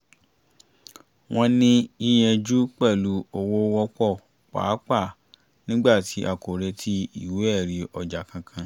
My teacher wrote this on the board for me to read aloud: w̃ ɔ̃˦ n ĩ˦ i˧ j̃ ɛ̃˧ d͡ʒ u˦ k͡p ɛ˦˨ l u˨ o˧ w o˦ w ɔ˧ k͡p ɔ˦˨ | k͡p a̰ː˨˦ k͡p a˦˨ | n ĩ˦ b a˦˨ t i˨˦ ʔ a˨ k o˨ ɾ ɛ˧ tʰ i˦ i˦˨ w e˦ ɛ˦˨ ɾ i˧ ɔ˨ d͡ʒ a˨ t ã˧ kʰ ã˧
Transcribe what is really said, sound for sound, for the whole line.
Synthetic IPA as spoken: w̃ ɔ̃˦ n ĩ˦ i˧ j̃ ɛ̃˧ d͡ʒ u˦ k͡p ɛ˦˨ l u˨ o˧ w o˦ w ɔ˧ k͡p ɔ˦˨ | k͡p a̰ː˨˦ k͡p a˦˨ | n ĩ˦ ɡ͡b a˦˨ t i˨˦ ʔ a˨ k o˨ ɾ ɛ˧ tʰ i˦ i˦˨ w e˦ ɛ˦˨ ɾ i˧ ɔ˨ d͡ʒ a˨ k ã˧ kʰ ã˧